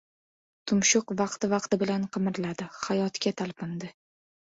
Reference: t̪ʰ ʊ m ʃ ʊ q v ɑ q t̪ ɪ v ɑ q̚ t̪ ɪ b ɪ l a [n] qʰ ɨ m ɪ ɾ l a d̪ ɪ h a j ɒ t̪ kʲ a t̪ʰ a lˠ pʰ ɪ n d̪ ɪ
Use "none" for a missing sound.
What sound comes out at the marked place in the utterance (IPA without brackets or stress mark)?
n